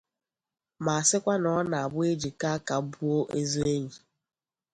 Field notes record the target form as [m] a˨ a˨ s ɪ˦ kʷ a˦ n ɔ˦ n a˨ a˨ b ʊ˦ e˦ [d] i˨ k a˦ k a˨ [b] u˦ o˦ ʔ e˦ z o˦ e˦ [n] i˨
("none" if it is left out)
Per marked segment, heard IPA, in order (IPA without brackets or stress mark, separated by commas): m, d͡ʒ, b, ɲ